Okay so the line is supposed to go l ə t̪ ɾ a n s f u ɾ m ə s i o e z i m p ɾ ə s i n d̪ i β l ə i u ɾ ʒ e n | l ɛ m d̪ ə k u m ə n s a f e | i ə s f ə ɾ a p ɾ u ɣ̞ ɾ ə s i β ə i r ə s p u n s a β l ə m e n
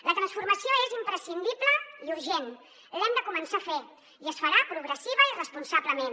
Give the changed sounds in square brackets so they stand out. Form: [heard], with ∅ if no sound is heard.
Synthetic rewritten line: l ə t̪ ɾ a n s f u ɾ m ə s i o e z i m p ɾ ə s i n d̪ i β l ə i u ɾ ʒ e n | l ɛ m d̪ ə k u m ə n s a f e | i ə s f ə ɾ a p ɾ u ɣ̞ ɾ ə s i β ə i r ə s p u n s a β l ə m e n